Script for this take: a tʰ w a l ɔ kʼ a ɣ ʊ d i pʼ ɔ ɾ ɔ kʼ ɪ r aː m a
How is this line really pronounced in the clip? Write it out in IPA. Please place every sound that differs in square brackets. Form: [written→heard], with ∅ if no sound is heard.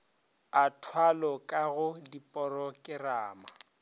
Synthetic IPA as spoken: a tʰ w a l ɔ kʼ a ɣ ʊ d i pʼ ɔ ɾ ɔ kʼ ɪ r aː m a